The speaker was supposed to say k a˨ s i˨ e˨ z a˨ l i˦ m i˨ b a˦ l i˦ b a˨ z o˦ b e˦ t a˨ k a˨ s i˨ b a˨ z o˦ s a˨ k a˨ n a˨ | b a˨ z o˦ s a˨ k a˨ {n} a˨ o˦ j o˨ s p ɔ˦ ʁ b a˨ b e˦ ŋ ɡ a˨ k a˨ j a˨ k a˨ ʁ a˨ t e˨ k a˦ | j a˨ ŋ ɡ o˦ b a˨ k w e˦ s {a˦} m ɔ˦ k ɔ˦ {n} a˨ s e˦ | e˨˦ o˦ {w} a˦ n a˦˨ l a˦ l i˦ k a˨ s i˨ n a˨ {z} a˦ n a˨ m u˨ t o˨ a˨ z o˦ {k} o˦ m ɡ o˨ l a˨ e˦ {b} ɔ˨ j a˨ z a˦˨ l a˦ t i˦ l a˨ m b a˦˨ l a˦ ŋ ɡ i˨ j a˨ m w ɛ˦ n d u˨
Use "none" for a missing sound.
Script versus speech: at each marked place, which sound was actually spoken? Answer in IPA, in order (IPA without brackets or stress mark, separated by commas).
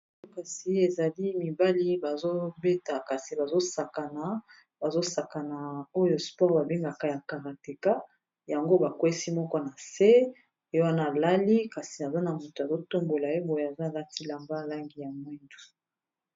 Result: n, i˦, n, w, z, t, b